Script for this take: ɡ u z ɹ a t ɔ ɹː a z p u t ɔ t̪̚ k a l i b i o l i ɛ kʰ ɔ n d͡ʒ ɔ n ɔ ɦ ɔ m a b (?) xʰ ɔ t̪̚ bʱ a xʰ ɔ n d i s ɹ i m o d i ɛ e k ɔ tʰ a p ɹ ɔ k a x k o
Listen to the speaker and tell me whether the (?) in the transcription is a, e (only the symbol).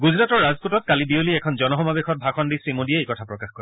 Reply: e